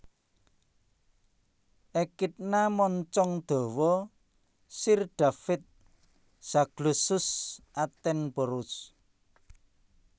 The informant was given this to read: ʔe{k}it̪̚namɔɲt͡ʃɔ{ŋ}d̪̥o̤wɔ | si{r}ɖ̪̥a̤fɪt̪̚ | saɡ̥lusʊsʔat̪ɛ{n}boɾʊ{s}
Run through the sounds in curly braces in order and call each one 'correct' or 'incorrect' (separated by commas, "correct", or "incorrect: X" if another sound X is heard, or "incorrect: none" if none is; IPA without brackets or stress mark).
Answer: correct, correct, correct, correct, correct